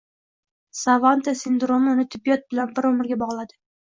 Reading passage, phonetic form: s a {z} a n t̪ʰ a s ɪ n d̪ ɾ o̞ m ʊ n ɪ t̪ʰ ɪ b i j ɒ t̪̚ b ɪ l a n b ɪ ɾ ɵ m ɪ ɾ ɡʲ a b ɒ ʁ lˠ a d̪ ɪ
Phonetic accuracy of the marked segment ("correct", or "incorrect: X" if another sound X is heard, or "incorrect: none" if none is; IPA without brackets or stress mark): incorrect: v